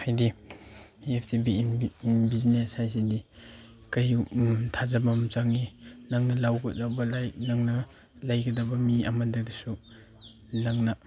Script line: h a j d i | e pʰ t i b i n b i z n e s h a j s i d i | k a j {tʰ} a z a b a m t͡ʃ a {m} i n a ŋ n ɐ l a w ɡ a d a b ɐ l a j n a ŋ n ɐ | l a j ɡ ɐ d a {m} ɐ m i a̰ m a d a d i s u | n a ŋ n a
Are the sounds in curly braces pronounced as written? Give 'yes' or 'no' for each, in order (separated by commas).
yes, no, no